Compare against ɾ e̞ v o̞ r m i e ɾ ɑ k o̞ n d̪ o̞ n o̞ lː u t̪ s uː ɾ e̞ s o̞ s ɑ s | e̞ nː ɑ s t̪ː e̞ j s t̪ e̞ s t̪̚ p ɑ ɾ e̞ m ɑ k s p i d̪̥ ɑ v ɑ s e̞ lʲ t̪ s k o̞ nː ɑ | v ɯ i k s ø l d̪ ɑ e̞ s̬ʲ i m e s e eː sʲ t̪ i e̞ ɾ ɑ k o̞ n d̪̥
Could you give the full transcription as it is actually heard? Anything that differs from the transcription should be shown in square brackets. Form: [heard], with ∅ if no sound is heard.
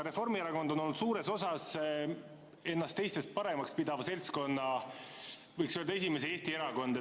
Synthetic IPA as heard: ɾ e̞ [f] o̞ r m i e ɾ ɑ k o̞ n d̪ o̞ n o̞ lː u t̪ s uː ɾ e̞ s o̞ s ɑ s | e̞ nː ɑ s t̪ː e̞ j s t̪ e̞ s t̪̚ p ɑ ɾ e̞ m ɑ k s p i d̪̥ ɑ v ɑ s e̞ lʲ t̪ s k o̞ nː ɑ | v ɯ [j] k s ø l d̪ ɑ e̞ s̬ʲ i m e s e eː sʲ t̪ i e̞ ɾ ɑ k o̞ n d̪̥